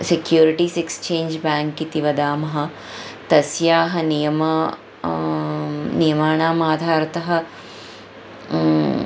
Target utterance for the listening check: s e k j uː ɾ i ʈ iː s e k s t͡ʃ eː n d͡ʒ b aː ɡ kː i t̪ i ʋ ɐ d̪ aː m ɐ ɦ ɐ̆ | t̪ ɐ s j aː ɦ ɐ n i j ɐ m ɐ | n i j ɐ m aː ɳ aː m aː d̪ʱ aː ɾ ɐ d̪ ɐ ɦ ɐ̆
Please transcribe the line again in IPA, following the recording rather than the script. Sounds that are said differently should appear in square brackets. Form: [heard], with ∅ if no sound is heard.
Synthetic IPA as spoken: s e k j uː ɾ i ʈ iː s e k s t͡ʃ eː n d͡ʒ b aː [ŋ] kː i t̪ i ʋ ɐ d̪ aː m ɐ ɦ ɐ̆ | t̪ ɐ s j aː ɦ ɐ n i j ɐ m ɐ | n i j ɐ m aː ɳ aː m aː d̪ʱ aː ɾ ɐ [t̪] ɐ ɦ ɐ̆

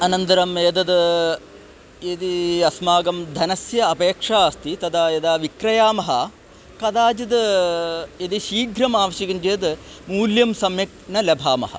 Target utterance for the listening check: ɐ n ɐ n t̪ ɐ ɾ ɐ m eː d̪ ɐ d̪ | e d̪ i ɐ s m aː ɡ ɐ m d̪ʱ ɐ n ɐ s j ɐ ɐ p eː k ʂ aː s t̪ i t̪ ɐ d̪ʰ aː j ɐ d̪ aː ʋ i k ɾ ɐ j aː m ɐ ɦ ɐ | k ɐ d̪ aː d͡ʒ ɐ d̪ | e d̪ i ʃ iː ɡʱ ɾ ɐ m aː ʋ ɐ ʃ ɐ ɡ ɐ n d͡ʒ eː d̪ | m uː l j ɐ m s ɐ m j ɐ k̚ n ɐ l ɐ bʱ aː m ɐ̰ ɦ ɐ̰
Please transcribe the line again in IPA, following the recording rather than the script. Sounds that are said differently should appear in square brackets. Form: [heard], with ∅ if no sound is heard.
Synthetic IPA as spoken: ɐ n ɐ n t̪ ɐ ɾ ɐ m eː d̪ ɐ d̪ | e d̪ i ɐ s m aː ɡ ɐ m d̪ʱ ɐ n ɐ s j ɐ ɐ p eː k ʂ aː s t̪ i t̪ ɐ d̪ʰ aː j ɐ d̪ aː ʋ i k ɾ ɐ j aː m ɐ ɦ ɐ | k ɐ d̪ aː d͡ʒ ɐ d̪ | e d̪ i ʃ iː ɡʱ ɾ ɐ m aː ʋ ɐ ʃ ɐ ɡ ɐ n d͡ʒ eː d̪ | m uː l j ɐ m s ɐ m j ɐ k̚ n ɐ l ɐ bʱ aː m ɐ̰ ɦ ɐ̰

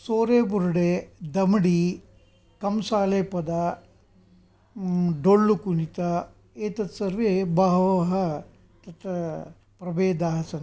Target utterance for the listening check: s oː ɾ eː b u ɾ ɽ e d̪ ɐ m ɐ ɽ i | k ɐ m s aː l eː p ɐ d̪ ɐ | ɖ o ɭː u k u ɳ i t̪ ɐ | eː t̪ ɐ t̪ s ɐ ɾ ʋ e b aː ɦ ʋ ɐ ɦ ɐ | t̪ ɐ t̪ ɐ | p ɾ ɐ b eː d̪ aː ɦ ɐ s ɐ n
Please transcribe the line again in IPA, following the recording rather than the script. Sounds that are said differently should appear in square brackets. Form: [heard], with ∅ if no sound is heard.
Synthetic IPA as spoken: s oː ɾ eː b u ɾ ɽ e d̪ ɐ m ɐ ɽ i | k ɐ m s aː l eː p ɐ d̪ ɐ | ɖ o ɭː u k u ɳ i t̪ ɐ | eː t̪ ɐ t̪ s ɐ ɾ ʋ e b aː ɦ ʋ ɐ ɦ ɐ | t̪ ɐ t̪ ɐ | p ɾ ɐ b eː d̪ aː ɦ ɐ s ɐ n

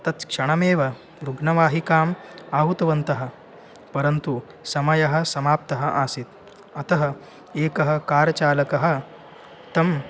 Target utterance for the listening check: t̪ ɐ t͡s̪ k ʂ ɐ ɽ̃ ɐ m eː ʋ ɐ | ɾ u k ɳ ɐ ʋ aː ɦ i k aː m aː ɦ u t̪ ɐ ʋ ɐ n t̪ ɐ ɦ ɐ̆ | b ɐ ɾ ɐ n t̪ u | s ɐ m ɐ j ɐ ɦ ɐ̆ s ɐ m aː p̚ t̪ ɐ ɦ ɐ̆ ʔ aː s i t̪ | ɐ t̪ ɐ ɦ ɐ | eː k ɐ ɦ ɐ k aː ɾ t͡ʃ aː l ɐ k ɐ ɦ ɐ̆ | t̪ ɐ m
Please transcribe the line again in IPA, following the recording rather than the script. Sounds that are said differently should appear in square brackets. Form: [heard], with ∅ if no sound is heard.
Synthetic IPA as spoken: t̪ ɐ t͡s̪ k ʂ ɐ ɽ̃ ɐ m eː ʋ ɐ | ɾ u [ɡ] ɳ ɐ ʋ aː ɦ i k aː m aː ɦ u t̪ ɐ ʋ ɐ n t̪ ɐ ɦ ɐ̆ | [p] ɐ ɾ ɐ n t̪ u | s ɐ m ɐ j ɐ ɦ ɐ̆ s ɐ m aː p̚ t̪ ɐ ɦ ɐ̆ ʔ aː s i t̪ | ɐ t̪ ɐ ɦ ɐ | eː k ɐ ɦ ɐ k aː ɾ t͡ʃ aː l ɐ k ɐ ɦ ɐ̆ | t̪ ɐ m

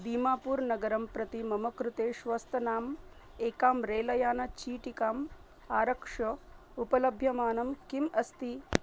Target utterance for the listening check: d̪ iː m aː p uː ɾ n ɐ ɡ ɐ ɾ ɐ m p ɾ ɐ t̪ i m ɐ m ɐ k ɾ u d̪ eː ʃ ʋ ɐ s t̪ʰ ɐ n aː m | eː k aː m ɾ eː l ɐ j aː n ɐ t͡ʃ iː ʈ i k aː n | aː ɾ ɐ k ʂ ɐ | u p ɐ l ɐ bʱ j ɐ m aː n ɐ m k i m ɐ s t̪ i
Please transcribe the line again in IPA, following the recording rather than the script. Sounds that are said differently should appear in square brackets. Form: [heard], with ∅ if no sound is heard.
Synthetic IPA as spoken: d̪ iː m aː p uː ɾ n ɐ ɡ ɐ ɾ ɐ m p ɾ ɐ t̪ i m ɐ m ɐ k ɾ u [t̪] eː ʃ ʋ ɐ s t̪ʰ ɐ n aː m | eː k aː m ɾ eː l ɐ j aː n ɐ t͡ʃ iː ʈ i k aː [m] | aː ɾ ɐ k ʂ ɐ | u p ɐ l ɐ bʱ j ɐ m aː n ɐ m k i m ɐ s t̪ i

